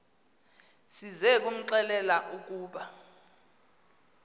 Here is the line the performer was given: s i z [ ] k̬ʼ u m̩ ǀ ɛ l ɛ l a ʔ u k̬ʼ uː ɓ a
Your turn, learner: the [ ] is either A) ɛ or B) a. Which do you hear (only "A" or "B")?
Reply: A